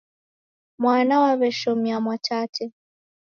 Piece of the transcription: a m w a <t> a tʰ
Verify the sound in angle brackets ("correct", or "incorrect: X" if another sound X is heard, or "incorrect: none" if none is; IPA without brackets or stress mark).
incorrect: t͡ʃ